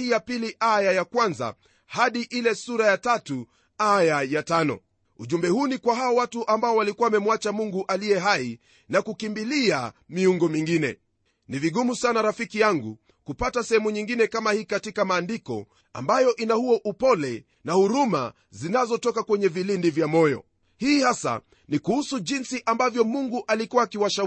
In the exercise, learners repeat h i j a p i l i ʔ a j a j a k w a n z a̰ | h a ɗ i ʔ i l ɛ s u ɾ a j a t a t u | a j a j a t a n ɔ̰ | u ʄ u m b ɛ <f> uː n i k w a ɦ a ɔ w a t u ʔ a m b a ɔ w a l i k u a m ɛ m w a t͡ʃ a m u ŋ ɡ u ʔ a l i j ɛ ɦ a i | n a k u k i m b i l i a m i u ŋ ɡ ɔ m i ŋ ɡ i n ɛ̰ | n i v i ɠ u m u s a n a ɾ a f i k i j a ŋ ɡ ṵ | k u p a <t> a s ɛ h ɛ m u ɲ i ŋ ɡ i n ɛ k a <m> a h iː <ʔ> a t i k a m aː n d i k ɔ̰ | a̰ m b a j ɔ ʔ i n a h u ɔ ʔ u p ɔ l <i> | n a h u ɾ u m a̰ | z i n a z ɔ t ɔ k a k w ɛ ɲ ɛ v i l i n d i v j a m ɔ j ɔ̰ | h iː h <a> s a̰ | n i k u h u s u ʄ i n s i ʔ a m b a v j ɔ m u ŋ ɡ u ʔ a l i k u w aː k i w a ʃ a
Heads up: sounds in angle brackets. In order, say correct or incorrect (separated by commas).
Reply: incorrect, correct, correct, incorrect, incorrect, correct